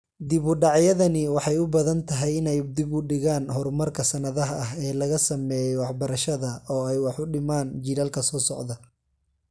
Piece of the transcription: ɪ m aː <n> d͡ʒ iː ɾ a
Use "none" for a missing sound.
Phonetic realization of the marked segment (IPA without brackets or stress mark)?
n